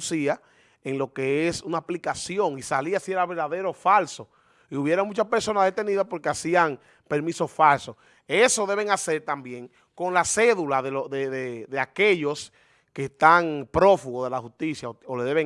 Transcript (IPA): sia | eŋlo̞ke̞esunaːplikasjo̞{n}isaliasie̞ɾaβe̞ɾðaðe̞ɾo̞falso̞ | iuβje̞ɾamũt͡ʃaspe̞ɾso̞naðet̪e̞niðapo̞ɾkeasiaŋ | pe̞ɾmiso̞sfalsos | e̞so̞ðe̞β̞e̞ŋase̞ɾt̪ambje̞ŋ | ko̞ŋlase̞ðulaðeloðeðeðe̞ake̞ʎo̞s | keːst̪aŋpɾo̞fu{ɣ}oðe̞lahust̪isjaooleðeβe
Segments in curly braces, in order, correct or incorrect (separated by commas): incorrect, correct